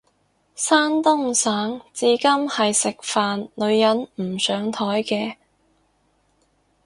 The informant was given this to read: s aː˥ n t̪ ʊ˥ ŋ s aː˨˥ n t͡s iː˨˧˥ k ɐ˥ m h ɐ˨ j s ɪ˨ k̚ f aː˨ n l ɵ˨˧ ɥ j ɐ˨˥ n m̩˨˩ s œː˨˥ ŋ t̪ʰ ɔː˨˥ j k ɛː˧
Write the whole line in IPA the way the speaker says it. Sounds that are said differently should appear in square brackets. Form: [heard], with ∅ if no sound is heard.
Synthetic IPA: s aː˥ n t̪ ʊ˥ ŋ s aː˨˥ [ŋ] t͡s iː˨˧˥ k ɐ˥ m h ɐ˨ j s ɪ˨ k̚ f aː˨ n l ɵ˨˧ ɥ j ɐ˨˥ n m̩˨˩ s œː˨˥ ŋ t̪ʰ ɔː˨˥ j k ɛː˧

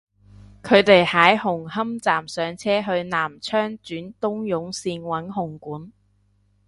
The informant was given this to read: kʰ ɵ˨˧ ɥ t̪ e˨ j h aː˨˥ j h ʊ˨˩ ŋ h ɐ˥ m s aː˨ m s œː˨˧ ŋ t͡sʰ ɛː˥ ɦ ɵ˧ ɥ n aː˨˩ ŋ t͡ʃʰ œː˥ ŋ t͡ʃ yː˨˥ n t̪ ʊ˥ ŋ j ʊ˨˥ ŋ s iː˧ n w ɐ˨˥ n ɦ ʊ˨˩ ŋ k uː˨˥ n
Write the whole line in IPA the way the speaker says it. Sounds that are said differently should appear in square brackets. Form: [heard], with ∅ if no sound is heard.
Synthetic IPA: kʰ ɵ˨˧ ɥ t̪ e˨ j h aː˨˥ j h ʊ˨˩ ŋ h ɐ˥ m [t͡s] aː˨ m s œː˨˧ ŋ t͡sʰ ɛː˥ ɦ ɵ˧ ɥ n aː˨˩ [m] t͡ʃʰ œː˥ ŋ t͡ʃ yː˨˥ n t̪ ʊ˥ ŋ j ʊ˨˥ ŋ s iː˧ n w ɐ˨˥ n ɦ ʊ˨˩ ŋ k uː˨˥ n

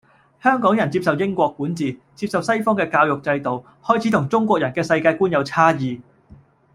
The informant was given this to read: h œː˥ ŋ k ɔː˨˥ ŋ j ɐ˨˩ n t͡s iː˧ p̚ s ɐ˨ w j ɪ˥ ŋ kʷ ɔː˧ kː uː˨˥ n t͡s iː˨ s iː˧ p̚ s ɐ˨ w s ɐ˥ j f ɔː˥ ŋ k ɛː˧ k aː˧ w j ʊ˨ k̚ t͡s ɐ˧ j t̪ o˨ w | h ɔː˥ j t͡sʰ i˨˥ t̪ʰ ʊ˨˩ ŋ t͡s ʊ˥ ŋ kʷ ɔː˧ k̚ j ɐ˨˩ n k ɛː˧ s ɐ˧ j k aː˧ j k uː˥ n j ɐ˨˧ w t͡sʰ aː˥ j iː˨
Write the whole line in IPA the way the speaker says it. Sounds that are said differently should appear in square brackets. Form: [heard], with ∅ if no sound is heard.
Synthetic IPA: h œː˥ ŋ k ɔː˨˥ ŋ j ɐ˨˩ n t͡s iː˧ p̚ s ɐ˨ w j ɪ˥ ŋ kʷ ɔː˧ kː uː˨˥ n t͡s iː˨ [t͡s] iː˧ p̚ s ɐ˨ w s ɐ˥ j f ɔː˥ ŋ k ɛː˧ k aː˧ w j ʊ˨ k̚ t͡s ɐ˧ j t̪ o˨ w | h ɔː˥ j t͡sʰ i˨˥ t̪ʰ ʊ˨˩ ŋ t͡s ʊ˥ ŋ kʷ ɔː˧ k̚ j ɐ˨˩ n k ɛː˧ s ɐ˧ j k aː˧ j k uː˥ n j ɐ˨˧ w t͡sʰ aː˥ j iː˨

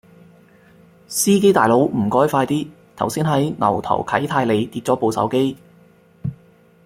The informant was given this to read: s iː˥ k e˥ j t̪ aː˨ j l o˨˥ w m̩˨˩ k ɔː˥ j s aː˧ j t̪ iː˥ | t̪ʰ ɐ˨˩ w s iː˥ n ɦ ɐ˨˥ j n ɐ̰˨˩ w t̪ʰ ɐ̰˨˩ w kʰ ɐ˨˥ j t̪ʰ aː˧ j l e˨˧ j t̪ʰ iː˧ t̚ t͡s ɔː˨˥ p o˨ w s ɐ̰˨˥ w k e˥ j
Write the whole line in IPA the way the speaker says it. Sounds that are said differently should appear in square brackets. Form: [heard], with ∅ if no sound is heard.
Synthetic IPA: s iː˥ k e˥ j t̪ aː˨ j l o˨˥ w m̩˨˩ k ɔː˥ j [f] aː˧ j t̪ iː˥ | t̪ʰ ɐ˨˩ w s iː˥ n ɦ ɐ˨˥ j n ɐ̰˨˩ w t̪ʰ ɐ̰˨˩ w kʰ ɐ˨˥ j t̪ʰ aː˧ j l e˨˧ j [t̪] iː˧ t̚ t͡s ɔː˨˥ p o˨ w s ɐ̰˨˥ w k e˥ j

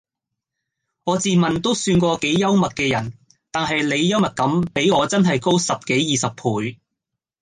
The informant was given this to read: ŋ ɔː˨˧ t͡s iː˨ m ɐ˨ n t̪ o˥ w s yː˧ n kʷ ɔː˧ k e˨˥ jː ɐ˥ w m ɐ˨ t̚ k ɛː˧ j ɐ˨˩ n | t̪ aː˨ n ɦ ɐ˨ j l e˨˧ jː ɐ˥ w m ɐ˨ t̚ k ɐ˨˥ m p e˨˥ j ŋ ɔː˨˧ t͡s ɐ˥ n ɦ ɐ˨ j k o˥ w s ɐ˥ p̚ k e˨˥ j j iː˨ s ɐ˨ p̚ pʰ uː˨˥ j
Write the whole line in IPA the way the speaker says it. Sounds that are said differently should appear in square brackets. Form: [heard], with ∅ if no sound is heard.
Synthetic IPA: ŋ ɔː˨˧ t͡s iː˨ m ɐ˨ n t̪ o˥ w s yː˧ n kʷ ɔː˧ k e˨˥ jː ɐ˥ w m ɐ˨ t̚ k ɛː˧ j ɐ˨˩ n | t̪ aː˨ n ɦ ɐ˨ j l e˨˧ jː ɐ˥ w m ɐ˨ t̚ k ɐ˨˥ m p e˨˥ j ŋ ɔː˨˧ t͡s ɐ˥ n ɦ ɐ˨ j k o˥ w s [ɐ˨] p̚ k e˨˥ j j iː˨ s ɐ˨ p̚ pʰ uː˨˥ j

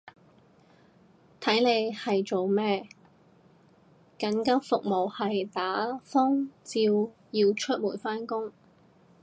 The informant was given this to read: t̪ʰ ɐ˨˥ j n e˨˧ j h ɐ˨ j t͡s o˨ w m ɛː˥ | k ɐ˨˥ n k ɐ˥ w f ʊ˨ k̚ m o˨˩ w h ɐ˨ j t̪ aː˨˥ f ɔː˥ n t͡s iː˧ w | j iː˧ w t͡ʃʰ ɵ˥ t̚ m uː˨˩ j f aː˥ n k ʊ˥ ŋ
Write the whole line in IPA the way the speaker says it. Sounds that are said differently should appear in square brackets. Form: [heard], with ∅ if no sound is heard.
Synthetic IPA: t̪ʰ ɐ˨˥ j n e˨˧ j h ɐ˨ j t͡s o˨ w m ɛː˥ | k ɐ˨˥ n k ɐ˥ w f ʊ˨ k̚ m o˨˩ w h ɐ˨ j t̪ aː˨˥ f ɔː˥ [ŋ] t͡s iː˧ w | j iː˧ w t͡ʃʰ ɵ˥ t̚ m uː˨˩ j f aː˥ n k ʊ˥ ŋ

